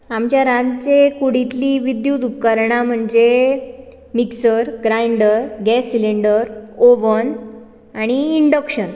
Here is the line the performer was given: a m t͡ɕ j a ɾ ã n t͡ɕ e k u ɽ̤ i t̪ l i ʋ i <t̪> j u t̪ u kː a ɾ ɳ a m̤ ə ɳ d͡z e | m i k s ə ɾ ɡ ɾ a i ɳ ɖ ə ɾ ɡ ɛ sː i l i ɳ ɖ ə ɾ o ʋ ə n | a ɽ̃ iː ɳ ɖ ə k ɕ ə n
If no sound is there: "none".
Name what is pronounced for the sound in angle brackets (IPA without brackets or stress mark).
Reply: d̪